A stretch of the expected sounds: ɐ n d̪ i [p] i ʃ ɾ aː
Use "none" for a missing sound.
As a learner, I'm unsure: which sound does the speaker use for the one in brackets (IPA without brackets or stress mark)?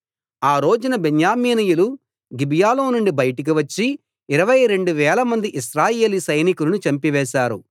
ʔ